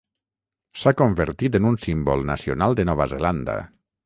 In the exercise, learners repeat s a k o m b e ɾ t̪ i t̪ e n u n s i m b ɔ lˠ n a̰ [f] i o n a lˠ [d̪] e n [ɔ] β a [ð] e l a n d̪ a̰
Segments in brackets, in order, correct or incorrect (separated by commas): incorrect, correct, correct, incorrect